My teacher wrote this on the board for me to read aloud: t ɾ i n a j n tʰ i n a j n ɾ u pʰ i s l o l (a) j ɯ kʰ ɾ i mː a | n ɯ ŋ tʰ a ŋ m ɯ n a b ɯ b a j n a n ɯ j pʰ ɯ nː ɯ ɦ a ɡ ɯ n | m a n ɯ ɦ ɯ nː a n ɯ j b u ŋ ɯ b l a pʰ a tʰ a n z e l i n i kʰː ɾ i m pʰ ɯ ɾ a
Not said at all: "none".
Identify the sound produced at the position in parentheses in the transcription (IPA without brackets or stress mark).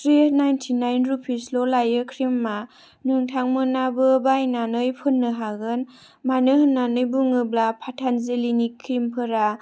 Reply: a